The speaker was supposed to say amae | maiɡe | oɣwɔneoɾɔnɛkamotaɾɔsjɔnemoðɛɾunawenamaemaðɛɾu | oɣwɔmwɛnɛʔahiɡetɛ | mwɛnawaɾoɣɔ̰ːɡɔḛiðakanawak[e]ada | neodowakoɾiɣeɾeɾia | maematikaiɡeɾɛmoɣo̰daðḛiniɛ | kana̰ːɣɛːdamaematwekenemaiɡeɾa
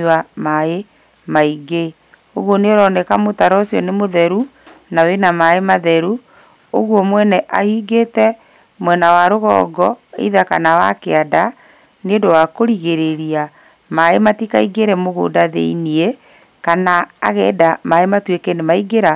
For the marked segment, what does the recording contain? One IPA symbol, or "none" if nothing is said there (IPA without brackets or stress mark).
e